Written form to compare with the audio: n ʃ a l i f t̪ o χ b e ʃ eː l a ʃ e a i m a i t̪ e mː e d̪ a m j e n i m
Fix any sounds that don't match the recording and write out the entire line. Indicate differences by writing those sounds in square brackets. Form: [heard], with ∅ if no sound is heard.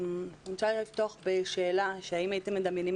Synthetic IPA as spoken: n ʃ a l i f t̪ o χ b e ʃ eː l a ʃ e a i m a i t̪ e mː e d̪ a m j e n i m